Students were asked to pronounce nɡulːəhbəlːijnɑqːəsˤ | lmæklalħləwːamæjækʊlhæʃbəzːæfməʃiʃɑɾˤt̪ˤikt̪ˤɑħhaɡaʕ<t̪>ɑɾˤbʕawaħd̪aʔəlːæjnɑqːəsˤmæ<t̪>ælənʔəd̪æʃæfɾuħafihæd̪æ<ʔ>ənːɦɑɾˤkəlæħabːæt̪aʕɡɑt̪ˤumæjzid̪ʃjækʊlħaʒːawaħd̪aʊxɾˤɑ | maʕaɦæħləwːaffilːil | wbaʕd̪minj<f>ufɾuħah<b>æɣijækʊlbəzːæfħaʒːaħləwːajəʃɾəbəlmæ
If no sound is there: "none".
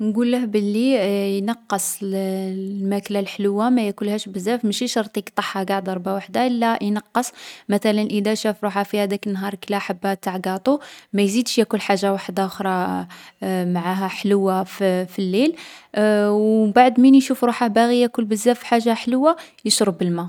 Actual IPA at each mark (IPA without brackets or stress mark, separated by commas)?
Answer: d̪, t̪, k, ʃ, b